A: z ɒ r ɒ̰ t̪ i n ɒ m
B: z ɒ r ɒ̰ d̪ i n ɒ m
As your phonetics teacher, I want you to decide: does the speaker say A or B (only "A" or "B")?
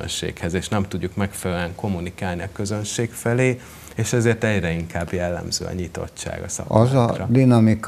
B